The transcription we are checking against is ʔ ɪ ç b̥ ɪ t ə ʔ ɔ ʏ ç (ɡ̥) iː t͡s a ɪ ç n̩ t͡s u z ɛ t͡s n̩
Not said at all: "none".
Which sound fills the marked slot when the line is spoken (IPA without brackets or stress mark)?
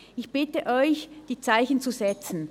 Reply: d̥